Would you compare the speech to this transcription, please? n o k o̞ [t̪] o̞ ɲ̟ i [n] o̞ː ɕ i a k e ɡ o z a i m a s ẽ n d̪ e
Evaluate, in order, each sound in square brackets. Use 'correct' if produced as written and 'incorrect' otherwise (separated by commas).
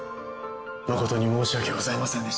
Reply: correct, incorrect